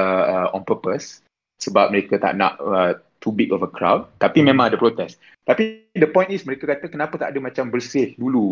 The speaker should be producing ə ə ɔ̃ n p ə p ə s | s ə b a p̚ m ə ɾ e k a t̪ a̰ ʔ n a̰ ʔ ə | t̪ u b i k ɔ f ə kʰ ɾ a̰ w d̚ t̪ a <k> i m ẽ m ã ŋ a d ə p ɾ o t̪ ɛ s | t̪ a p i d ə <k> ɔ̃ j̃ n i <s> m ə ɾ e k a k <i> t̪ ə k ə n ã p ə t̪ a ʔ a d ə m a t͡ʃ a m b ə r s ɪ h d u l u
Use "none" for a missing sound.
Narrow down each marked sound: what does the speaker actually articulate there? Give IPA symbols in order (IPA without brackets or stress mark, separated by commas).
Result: p, p, s, a